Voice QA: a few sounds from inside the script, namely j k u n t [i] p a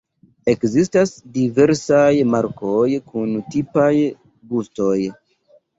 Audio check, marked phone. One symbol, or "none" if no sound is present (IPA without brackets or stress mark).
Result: i